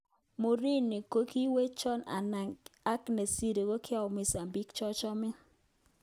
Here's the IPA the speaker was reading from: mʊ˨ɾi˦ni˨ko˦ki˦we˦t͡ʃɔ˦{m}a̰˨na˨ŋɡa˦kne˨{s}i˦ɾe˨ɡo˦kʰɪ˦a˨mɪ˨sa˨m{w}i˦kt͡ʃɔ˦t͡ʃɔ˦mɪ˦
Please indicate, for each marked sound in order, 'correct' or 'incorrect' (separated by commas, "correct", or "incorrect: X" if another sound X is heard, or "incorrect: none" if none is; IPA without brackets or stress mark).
incorrect: n, correct, incorrect: b